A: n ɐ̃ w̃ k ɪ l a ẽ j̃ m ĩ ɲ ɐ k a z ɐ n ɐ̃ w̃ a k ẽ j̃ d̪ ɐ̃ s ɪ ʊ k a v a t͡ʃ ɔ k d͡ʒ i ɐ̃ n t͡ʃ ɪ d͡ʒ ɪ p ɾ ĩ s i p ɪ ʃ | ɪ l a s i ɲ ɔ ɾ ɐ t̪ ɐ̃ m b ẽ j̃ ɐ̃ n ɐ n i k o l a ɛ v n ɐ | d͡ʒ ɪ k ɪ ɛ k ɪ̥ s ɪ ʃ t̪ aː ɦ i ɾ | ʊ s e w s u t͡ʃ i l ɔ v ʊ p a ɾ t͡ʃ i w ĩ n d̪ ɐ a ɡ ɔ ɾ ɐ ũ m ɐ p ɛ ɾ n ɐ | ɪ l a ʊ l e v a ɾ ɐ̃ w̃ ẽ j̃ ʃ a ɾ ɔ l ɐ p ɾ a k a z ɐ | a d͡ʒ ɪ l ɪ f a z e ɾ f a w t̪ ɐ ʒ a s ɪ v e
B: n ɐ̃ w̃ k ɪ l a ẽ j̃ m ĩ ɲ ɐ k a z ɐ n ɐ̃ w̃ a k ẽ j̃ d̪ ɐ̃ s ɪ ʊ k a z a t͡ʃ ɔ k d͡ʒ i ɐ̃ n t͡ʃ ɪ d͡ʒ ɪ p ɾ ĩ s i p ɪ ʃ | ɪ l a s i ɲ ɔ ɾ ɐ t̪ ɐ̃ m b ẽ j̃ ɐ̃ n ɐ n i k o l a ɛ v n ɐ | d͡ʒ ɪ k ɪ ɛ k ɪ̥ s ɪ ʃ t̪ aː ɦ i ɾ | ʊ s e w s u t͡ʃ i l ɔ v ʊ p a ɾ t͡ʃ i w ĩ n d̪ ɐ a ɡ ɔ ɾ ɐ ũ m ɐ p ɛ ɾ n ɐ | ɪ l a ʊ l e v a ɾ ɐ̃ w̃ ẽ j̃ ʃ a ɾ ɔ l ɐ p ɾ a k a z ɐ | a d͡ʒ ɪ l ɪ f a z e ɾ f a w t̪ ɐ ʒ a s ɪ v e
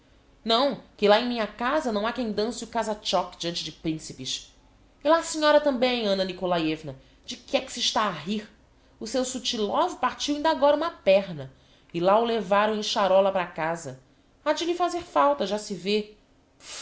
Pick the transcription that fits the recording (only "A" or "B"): B